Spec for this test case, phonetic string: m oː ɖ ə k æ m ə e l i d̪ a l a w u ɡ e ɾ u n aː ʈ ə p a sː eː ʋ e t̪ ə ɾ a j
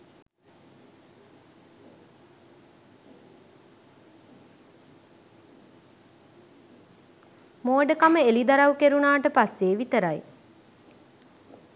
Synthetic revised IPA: m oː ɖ ə k a m ə e l i d̪ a ɾ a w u k e ɾ u n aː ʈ ə p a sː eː ʋ i t̪ ə ɾ a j

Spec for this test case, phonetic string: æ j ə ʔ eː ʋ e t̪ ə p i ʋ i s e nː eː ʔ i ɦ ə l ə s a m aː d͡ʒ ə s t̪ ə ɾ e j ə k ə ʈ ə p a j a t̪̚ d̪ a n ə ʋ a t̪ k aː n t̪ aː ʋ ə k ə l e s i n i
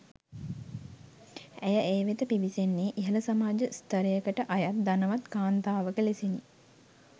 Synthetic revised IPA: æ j ə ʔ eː ʋ e t̪ ə p i ʋ i s e nː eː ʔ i ɦ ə l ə s a m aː d͡ʒ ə s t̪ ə ɾ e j ə k ə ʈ ə ʔ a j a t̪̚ d̪ a n ə ʋ a t̪ k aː n t̪ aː ʋ ə k ə l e s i n i

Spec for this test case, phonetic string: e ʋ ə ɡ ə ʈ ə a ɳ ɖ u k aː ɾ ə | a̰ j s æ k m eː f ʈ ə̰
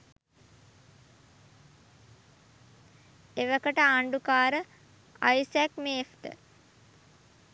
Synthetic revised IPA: e ʋ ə k ə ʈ ə a ɳ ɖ u k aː ɾ ə | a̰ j s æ k m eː f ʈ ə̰

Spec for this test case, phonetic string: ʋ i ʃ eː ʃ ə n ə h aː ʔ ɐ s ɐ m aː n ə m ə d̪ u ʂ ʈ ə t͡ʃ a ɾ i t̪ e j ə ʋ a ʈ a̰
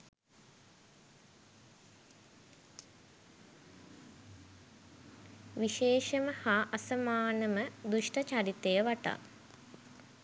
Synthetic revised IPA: ʋ i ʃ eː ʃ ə m ə h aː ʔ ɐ s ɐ m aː n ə m ə d̪ u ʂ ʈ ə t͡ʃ a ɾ i t̪ e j ə ʋ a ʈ a̰

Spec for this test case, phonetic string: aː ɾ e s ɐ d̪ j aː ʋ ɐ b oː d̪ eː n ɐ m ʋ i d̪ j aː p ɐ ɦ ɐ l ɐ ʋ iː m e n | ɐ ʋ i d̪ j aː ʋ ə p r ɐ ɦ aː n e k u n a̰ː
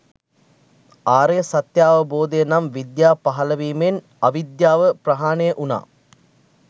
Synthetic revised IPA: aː ɾ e s ɐ t̪ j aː ʋ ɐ b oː d̪ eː n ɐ m ʋ i d̪ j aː p ɐ ɦ ɐ l ɐ ʋ iː m e n | ɐ ʋ i d̪ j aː ʋ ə p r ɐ ɦ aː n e ʔ u n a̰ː

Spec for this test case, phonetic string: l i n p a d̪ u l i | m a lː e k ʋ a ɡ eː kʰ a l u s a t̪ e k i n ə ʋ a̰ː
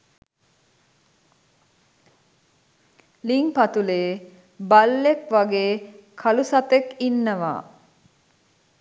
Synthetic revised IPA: l i ŋ p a t̪ u l e | b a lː e k ʋ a ɡ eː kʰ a l u s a t̪ e k i nː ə ʋ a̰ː

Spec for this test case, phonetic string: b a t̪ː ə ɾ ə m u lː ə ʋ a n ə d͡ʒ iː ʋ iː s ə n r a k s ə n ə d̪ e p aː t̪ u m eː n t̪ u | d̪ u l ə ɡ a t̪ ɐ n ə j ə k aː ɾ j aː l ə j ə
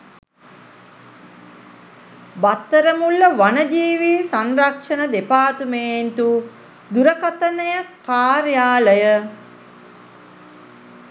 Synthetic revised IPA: b a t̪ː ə ɾ ə m u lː ə ʋ a n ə d͡ʒ iː ʋ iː s a n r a k ʂ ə n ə d̪ e p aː t̪ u m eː n t̪ u | d̪ u ɾ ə k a t̪ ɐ n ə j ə k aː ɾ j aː l ə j ə

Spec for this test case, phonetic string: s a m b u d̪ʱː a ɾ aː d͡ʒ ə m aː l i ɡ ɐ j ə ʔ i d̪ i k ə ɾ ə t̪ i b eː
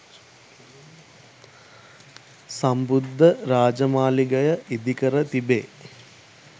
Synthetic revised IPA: s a m b u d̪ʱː ə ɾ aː d͡ʒ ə m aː l i ɡ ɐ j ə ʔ i d̪ i k ə ɾ ə t̪ i b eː

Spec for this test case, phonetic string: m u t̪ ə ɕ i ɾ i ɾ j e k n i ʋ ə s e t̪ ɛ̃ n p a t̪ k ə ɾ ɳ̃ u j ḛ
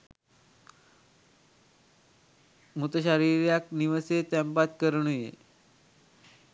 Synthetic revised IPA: m u t̪ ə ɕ a ɾ i ɾ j a k n i ʋ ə s e t̪ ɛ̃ m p a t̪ k ə ɾ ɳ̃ u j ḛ

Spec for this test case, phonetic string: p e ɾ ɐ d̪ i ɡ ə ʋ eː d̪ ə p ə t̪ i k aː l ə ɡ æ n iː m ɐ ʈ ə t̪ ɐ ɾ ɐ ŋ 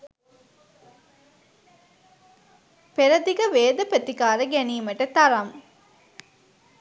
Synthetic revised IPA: p e ɾ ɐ d̪ i ɡ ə ʋ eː d̪ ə p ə t̪ i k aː ɾ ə ɡ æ n iː m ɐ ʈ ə t̪ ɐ ɾ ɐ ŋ

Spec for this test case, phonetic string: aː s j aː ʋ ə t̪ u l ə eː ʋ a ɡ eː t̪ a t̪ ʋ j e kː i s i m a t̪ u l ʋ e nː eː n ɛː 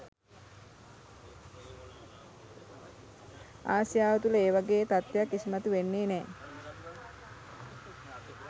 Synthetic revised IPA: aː s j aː ʋ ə t̪ u l ə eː ʋ a ɡ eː t̪ a t̪ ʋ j a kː i s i m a t̪ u ʋ e nː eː n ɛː

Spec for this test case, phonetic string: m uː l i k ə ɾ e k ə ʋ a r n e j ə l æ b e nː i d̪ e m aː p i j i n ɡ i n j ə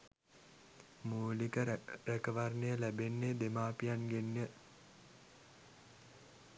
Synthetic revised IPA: m uː l i k ə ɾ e k ə ʋ a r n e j ə l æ b e nː e d̪ e m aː p i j a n ɡ e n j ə

